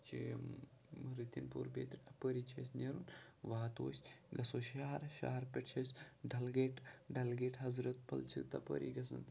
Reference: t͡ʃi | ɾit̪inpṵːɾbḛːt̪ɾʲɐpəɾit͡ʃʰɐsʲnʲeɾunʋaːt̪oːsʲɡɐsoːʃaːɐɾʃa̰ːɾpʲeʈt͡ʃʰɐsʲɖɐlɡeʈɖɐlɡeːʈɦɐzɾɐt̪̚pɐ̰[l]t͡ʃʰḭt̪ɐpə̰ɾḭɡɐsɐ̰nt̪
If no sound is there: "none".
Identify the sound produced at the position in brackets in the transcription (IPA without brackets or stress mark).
l